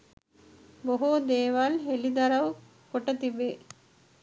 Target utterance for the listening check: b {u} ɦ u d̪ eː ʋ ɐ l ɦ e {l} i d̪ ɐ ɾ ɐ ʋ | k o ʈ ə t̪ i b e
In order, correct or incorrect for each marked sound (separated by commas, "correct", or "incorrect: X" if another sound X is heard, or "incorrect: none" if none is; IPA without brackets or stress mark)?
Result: incorrect: o, correct